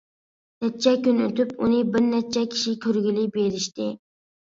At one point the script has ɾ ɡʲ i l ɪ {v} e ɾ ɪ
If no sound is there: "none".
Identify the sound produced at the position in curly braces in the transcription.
b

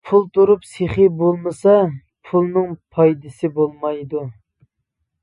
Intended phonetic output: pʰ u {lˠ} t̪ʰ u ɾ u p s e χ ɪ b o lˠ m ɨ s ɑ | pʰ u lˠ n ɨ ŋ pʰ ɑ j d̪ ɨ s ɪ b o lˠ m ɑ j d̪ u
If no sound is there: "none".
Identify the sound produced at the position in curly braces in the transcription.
lˠ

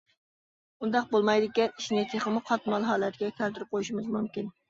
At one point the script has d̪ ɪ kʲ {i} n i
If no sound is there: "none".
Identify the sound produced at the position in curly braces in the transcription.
ɛ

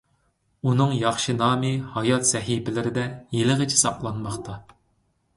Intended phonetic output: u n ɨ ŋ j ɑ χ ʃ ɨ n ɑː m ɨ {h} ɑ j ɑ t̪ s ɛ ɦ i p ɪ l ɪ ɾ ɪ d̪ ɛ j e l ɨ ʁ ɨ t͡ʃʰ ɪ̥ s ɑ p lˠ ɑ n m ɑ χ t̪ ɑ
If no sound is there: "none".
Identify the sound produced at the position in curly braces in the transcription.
h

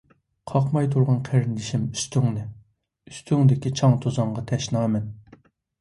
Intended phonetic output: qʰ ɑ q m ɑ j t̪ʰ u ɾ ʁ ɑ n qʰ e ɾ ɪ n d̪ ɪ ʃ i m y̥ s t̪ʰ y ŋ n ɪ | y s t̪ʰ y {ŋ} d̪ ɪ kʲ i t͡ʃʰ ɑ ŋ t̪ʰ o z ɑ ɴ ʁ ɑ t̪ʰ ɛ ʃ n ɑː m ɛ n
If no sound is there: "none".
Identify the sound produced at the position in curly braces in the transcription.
ŋ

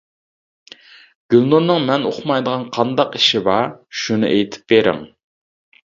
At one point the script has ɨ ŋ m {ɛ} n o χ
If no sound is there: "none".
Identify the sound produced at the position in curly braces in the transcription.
ɛ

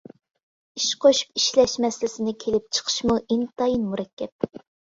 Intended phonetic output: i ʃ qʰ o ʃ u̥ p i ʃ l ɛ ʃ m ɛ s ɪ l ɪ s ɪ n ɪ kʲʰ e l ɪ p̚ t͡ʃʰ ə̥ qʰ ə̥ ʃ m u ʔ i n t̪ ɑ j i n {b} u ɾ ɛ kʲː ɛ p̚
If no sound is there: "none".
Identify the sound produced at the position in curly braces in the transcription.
m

